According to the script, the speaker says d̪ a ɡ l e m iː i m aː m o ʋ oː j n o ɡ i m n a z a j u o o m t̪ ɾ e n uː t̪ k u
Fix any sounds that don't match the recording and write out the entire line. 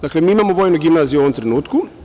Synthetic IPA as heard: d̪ a k l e m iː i m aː m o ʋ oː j n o ɡ i m n a z i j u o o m t̪ ɾ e n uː t̪ k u